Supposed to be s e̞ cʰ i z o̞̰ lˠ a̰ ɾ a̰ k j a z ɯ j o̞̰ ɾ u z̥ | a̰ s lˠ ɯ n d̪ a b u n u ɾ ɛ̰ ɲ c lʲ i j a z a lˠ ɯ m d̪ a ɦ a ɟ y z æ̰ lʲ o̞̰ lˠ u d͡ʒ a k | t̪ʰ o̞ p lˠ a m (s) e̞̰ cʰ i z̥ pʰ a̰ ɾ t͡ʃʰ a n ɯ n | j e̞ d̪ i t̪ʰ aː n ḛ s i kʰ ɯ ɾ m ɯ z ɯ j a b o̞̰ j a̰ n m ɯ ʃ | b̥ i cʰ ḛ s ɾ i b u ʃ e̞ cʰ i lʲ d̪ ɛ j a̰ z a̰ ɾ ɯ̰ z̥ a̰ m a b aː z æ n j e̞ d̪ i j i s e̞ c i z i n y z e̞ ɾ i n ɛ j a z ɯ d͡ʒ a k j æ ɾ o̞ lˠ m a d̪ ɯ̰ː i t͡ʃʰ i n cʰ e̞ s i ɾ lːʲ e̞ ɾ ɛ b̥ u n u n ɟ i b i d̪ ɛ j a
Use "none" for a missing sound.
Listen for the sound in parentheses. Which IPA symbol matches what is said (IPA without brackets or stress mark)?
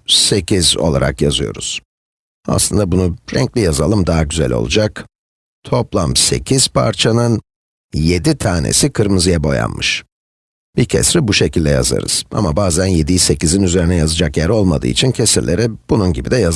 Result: s